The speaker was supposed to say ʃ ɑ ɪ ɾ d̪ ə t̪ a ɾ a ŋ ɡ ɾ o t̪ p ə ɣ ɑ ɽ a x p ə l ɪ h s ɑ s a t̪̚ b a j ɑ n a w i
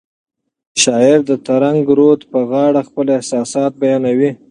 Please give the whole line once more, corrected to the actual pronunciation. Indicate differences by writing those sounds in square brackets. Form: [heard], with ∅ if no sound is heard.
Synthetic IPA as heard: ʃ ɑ ɪ ɾ d̪ ə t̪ a ɾ a ŋ ɡ ɾ o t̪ p ə ɣ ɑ ɽ a x p ə l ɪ h s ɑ s [ɑ] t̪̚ b a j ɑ n a w i